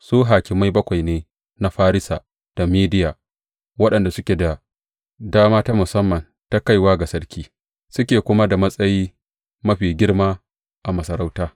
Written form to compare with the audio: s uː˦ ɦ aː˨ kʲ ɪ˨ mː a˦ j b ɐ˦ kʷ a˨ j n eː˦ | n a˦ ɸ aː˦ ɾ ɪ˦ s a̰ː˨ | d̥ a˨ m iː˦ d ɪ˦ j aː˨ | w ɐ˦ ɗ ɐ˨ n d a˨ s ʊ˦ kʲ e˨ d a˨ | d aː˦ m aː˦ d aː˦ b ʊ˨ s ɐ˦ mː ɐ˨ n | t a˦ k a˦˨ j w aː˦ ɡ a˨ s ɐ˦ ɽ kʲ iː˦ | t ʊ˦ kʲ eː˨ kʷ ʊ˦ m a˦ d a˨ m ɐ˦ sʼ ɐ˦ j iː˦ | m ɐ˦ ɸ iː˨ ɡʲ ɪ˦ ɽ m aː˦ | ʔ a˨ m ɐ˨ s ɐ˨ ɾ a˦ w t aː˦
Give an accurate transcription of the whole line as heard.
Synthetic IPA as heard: s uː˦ ɦ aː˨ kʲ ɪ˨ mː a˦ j b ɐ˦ kʷ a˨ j n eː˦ | n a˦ ɸ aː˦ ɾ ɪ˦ s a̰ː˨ | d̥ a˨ m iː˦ d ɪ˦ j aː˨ | w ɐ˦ ɗ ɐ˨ n d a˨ s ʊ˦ kʲ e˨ d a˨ | d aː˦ m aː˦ t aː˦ m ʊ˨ s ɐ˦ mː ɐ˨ n | t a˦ k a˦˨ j w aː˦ ɡ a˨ s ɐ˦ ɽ kʲ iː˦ | s ʊ˦ kʲ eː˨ kʷ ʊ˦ m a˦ d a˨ m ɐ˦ sʼ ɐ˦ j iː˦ | m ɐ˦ ɸ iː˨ ɡʲ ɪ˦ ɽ m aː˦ | ʔ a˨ m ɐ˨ s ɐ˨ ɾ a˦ w t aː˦